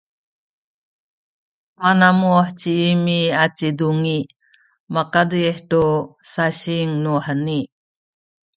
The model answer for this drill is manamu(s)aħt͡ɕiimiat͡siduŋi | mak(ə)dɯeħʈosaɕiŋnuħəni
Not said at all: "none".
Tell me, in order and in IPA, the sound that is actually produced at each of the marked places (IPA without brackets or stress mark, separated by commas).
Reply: none, a